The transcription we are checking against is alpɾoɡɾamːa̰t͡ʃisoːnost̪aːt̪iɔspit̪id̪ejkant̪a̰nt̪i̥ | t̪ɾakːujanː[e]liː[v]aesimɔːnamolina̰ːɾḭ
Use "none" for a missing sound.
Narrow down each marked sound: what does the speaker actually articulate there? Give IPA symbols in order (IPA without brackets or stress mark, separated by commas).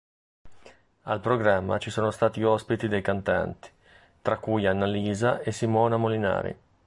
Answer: a, z